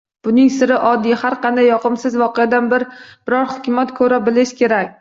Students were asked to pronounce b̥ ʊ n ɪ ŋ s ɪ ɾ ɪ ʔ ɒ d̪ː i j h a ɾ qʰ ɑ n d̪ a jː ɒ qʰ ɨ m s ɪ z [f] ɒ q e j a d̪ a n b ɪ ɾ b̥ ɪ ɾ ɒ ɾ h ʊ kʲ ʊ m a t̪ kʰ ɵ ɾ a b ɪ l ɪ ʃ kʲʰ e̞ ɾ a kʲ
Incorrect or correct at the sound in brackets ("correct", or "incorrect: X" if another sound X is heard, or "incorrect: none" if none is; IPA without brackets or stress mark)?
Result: incorrect: v